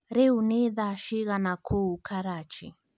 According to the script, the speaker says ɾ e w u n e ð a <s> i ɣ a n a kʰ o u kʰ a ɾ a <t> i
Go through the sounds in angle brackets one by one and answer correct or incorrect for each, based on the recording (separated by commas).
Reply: incorrect, incorrect